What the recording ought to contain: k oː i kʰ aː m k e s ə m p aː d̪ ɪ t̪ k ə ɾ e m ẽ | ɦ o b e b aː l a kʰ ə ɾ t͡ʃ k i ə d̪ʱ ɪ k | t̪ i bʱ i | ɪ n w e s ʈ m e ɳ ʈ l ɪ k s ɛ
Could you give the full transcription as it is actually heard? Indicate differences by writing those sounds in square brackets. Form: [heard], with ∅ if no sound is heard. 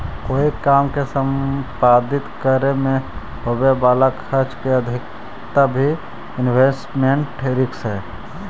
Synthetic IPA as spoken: k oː i [k] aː m k e s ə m p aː d̪ ɪ t̪ k ə ɾ e m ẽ | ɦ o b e b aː l a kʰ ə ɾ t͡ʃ k [e] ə d̪ʱ ɪ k | t̪ [a] bʱ i | ɪ n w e s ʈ m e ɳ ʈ [ɾ] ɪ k s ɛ